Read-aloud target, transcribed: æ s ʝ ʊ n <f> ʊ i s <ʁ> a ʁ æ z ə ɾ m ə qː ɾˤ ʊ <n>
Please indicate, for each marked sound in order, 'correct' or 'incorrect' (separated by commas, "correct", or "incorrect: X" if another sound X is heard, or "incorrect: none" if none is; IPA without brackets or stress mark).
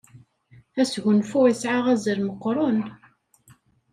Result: correct, incorrect: ʕ, correct